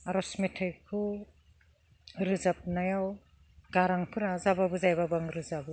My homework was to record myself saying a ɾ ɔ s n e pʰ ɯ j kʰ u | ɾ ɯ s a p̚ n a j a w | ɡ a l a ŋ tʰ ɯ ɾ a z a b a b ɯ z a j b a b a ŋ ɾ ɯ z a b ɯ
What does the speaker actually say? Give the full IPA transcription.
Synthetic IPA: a ɾ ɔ s m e tʰ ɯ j kʰ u | ɾ ɯ z a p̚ n a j a w | ɡ a ɾ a ŋ pʰ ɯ ɾ a z a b a b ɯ z a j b a b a ŋ ɾ ɯ z a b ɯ

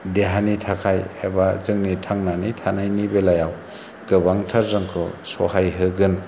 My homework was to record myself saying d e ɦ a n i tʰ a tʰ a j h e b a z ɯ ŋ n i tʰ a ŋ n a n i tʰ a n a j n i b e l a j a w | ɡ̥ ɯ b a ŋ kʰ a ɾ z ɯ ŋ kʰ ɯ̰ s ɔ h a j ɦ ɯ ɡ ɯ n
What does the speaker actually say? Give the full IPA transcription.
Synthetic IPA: d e ɦ a n i tʰ a kʰ a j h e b a z ɯ ŋ n i tʰ a ŋ n a n i tʰ a n a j n i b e l a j a w | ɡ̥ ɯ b a ŋ tʰ a ɾ z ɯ ŋ kʰ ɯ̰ s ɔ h a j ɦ ɯ ɡ ɯ n

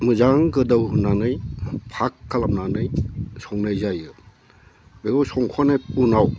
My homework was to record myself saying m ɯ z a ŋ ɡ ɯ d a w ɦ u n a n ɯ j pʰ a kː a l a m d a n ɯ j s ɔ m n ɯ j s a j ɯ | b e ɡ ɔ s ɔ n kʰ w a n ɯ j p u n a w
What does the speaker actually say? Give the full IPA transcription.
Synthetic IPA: m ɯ z a ŋ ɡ ɯ d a w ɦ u n a n ɯ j pʰ a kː a l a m n a n ɯ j s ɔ ŋ n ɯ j z a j ɯ | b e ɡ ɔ s ɔ ŋ kʰ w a n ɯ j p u n a w

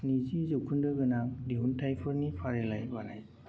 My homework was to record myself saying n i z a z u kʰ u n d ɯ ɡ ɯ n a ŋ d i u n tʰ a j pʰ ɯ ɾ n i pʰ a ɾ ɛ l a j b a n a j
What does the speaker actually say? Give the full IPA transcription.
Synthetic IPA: n i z i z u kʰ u n d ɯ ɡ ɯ n a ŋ d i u n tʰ a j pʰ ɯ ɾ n i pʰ a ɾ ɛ l a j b a n a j

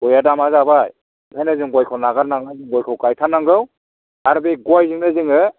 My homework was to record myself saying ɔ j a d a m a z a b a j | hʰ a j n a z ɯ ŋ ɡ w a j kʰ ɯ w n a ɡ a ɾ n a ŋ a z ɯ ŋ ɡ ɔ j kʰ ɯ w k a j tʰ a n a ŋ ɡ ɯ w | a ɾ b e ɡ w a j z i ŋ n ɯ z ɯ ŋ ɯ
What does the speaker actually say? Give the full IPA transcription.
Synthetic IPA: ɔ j a d a m a z a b a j | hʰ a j n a z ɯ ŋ ɡ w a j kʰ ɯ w n a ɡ a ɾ n a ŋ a z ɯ ŋ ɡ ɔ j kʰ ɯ w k a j tʰ a n a ŋ ɡ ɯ w | a ɾ b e ɡ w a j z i ŋ n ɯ z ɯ ŋ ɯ

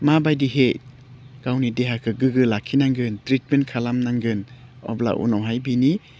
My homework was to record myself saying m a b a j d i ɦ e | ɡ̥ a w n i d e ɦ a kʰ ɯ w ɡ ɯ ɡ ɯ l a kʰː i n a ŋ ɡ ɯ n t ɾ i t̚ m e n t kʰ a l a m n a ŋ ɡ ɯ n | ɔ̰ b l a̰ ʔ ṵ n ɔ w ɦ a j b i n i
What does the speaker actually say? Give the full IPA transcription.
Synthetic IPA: m a b a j d i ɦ e | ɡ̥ a w n i d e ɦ a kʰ ɯ ɡ ɯ ɡ ɯ l a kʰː i n a ŋ ɡ ɯ n t ɾ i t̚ m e n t kʰ a l a m n a ŋ ɡ ɯ n | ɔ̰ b l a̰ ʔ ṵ n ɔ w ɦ a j b i n i

